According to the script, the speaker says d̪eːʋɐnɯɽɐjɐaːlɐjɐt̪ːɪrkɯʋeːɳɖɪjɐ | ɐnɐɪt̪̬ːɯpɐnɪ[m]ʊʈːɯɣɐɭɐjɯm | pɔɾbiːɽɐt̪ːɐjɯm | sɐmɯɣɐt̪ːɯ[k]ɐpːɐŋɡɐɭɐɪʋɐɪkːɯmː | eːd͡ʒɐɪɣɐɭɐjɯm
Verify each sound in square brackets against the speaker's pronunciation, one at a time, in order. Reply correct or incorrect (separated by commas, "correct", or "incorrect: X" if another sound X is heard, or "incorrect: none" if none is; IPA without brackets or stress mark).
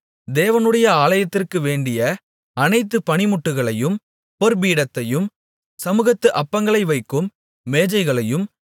correct, incorrect: ʔ